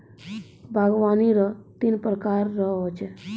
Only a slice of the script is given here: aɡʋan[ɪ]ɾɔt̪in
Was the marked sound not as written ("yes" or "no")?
yes